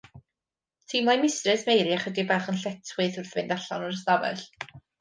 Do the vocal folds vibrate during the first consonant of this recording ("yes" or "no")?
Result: no